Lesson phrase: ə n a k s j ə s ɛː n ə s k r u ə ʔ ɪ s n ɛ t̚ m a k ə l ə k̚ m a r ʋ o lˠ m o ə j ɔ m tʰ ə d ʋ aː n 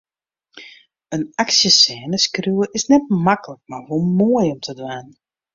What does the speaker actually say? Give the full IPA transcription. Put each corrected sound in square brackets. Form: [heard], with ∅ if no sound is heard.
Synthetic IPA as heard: ə n a k s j ə s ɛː n ə s k r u ə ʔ ɪ s n ɛ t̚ m a k ə l ə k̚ m a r ʋ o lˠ m o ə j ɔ m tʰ ə d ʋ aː n